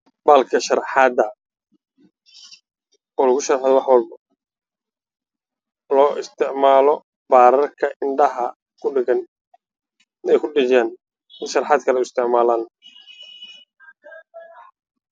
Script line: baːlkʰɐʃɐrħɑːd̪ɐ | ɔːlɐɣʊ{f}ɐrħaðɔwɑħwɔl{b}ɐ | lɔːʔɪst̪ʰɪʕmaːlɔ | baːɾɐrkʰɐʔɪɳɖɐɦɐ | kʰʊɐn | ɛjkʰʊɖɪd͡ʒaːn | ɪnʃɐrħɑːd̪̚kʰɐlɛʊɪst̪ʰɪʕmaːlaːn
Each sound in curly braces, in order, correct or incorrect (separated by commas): incorrect, correct